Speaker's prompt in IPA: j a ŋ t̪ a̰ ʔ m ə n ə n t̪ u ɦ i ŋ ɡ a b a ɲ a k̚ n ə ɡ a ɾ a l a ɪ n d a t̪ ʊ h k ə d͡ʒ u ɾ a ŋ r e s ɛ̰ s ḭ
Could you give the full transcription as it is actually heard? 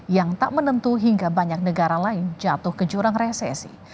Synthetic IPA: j a ŋ t̪ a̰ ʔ m ə n ə n t̪ u ɦ i ŋ ɡ a b a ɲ a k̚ n ə ɡ a ɾ a l a ɪ n d͡ʒ a t̪ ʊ h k ə d͡ʒ u ɾ a ŋ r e s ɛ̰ s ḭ